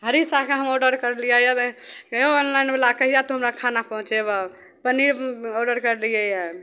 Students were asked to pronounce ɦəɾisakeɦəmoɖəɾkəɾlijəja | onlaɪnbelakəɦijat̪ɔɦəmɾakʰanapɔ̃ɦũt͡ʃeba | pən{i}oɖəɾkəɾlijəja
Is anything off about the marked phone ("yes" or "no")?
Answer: no